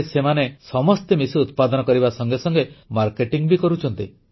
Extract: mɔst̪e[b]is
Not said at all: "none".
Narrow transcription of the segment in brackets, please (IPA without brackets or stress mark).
m